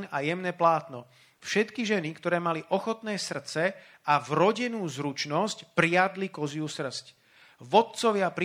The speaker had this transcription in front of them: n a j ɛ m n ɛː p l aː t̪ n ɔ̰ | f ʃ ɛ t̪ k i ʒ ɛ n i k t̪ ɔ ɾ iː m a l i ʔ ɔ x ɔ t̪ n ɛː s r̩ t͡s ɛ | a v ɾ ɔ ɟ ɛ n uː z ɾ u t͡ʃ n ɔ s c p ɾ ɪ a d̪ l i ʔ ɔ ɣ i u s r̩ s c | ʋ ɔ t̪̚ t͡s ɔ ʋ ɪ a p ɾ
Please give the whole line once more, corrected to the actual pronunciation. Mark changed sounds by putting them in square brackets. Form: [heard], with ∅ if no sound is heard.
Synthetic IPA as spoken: n a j ɛ m n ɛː p l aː t̪ n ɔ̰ | f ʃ ɛ t̪ k i ʒ ɛ n i k t̪ ɔ ɾ [ɛː] m a l i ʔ ɔ x ɔ t̪ n ɛː s r̩ t͡s ɛ | a v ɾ ɔ ɟ ɛ n uː z ɾ u t͡ʃ n ɔ s c p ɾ ɪ a d̪ l i [k] ɔ [z] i u s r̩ s c | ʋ ɔ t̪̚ t͡s ɔ ʋ ɪ a p ɾ